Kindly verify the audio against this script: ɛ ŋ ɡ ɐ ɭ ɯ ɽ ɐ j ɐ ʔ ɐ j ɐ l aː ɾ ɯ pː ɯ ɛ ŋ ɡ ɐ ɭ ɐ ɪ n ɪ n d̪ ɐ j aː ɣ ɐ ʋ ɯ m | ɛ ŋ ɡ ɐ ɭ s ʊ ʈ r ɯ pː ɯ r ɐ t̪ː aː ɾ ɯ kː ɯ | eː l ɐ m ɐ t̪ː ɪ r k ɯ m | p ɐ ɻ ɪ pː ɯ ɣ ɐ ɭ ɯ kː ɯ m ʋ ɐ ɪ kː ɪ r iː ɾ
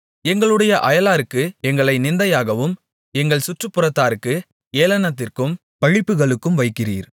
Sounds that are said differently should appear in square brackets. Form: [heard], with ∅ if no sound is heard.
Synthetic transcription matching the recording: ɛ ŋ ɡ ɐ ɭ ɯ ɽ ɐ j ɐ ʔ ɐ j ɐ l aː ɾ ɯ [kː] ɯ ɛ ŋ ɡ ɐ ɭ ɐ ɪ n ɪ n d̪ ɐ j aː ɣ ɐ ʋ ɯ m | ɛ ŋ ɡ ɐ ɭ s ʊ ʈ r ɯ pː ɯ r ɐ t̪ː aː ɾ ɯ kː ɯ | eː l ɐ [n] ɐ t̪ː ɪ r k ɯ m | p ɐ ɻ ɪ pː ɯ ɣ ɐ ɭ ɯ kː ɯ m ʋ ɐ ɪ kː ɪ r iː ɾ